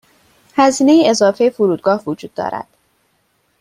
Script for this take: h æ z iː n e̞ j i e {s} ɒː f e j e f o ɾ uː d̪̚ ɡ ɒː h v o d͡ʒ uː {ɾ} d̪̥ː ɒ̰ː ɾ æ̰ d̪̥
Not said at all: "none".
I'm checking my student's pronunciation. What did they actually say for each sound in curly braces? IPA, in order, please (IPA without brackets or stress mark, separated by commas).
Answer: z, none